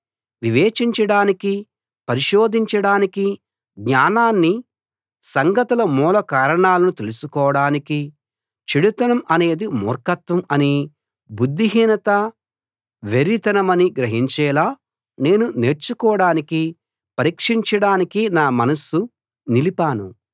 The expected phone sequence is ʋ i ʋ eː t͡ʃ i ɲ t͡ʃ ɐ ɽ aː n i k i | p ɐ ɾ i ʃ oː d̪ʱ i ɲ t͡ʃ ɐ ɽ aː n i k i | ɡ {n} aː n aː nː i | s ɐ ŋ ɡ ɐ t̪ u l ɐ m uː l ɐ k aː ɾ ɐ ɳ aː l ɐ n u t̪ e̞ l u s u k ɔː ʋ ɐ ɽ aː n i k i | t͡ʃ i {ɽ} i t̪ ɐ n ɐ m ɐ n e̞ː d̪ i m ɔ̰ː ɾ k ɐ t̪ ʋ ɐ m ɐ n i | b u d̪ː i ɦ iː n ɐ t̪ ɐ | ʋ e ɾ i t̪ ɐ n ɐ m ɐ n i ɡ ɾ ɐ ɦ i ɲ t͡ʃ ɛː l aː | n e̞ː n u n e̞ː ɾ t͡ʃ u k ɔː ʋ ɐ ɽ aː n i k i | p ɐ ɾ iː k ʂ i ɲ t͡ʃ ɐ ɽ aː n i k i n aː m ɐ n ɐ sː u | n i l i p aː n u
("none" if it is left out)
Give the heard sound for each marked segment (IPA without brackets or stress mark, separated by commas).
ɲ, ɽ